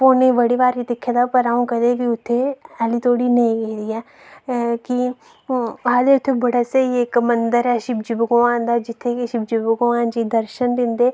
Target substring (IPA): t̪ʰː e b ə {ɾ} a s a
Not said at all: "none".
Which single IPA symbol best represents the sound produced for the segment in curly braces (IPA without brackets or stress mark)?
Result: ɽ